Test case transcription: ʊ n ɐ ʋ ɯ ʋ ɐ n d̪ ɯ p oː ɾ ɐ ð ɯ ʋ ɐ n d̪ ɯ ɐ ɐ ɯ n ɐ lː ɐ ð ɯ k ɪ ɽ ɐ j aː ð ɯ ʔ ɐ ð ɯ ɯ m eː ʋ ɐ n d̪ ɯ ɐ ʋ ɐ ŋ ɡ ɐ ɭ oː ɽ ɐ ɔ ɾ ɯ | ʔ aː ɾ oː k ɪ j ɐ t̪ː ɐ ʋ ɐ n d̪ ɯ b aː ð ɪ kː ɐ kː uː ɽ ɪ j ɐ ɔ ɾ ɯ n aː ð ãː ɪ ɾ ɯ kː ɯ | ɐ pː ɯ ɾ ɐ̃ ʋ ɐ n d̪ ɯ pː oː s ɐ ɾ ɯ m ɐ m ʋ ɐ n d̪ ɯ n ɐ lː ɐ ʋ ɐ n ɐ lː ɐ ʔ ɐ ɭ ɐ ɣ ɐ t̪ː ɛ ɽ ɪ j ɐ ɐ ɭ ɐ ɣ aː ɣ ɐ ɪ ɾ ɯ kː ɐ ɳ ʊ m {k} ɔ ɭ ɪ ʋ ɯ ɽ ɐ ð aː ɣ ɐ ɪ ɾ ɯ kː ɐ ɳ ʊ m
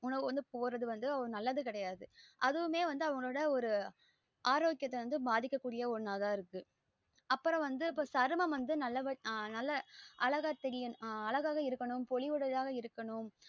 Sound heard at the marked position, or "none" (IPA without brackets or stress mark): p